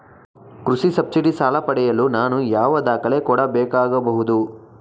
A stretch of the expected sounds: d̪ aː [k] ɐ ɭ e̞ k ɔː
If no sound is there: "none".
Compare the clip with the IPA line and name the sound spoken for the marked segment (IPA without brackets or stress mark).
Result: k